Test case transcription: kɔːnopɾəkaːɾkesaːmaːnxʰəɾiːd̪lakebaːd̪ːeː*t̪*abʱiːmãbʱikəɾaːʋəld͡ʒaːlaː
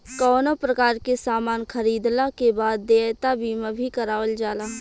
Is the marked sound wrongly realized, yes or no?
no